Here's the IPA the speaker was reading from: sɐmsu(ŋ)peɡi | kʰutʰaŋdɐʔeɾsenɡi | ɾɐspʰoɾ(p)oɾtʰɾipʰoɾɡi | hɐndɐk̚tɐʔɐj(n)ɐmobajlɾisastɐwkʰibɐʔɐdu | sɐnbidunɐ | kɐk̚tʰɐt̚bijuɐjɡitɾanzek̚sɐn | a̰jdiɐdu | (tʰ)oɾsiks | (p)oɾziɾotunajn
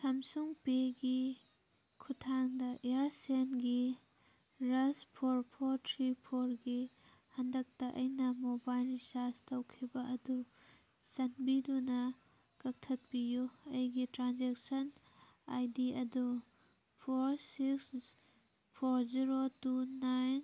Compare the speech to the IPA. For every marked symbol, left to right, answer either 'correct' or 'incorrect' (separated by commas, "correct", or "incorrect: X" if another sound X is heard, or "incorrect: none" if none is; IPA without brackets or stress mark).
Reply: correct, incorrect: pʰ, correct, incorrect: pʰ, incorrect: pʰ